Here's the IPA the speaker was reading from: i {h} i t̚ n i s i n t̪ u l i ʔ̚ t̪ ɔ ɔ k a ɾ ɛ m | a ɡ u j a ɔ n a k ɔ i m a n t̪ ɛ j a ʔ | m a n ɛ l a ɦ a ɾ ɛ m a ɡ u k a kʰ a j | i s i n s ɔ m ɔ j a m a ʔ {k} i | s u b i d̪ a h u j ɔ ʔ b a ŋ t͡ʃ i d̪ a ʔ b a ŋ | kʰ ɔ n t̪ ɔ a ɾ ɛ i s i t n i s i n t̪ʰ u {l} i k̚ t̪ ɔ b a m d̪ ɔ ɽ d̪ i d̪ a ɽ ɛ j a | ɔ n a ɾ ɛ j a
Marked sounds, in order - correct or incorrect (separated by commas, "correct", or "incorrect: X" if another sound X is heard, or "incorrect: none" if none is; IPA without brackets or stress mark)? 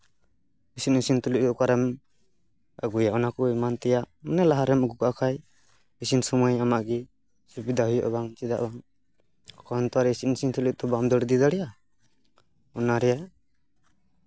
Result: incorrect: s, incorrect: ɡ, correct